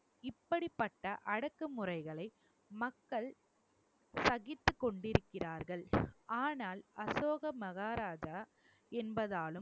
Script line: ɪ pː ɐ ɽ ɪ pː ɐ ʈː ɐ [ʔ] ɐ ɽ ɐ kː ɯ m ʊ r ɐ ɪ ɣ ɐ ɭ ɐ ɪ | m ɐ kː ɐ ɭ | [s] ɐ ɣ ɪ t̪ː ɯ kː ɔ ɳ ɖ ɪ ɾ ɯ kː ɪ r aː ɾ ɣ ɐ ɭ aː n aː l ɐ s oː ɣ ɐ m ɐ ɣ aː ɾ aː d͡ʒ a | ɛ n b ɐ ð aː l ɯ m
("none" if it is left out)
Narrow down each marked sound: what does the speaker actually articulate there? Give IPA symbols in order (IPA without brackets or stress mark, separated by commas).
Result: ʔ, s